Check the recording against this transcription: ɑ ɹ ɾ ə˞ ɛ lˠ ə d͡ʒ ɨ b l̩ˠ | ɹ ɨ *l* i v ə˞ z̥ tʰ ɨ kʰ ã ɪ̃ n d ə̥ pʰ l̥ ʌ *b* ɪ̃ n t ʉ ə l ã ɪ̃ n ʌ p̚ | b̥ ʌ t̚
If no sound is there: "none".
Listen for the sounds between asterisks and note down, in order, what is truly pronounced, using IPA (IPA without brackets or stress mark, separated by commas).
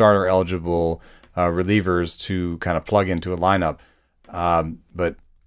l, ɡ